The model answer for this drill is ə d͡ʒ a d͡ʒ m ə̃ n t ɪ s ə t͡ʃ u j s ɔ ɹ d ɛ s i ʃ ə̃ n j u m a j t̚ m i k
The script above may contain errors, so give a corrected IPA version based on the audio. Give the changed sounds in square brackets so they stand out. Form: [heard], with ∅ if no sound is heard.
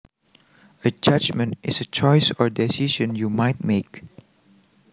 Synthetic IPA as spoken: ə d͡ʒ a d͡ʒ m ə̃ n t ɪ s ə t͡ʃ [ɔ] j s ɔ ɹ d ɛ s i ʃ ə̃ n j u m a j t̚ m [e] k